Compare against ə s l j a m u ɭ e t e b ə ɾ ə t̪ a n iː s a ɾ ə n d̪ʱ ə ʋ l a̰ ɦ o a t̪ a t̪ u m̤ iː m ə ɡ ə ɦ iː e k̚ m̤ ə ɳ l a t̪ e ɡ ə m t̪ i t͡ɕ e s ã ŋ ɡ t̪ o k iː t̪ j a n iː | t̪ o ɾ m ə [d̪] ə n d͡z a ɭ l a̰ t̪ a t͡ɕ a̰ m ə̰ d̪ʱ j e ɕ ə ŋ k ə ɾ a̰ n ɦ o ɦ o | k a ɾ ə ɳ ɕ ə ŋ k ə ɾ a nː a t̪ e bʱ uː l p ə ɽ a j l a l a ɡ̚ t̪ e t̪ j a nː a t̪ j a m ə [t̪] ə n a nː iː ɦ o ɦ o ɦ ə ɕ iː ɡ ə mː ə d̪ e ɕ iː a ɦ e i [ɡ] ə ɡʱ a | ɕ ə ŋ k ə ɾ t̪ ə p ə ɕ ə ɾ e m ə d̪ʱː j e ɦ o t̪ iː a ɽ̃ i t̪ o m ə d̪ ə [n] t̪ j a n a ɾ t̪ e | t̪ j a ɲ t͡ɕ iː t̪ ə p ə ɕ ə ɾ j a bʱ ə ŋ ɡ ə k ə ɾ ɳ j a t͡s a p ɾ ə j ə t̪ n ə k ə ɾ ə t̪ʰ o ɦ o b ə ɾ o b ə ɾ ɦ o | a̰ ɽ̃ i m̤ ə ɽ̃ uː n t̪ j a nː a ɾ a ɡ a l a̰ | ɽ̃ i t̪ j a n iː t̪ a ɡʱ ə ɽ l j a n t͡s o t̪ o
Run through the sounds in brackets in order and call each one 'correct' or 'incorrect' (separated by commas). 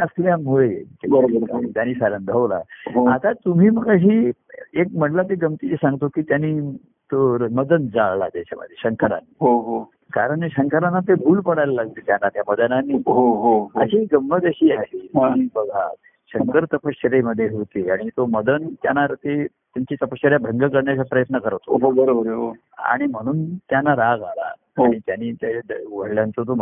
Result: correct, incorrect, incorrect, correct